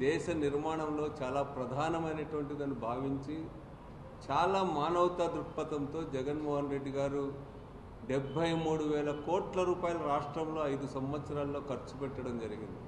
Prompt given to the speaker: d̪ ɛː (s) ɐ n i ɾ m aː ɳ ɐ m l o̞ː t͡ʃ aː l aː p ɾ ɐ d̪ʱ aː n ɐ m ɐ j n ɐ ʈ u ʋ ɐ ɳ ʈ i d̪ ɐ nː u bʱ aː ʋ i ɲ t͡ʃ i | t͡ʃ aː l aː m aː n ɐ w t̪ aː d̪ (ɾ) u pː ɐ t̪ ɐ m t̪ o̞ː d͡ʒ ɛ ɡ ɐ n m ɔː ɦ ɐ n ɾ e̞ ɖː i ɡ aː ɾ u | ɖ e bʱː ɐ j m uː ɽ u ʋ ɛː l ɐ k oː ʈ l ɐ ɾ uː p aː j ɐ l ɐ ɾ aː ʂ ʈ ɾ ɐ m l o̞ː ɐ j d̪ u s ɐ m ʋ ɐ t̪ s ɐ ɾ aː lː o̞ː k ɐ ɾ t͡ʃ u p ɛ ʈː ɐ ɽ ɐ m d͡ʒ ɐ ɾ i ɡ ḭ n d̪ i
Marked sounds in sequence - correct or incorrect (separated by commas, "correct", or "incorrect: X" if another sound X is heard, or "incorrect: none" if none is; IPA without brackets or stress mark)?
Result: incorrect: ʃ, correct